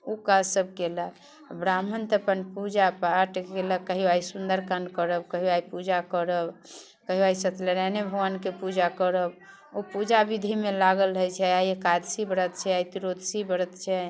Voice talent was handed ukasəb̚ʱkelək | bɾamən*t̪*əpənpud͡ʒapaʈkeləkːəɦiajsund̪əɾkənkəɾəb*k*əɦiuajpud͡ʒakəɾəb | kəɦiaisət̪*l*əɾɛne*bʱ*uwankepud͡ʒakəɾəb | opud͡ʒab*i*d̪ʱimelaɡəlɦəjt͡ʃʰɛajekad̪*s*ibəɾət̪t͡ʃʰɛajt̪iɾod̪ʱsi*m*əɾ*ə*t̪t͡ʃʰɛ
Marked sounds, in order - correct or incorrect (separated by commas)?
correct, correct, correct, correct, correct, correct, incorrect, correct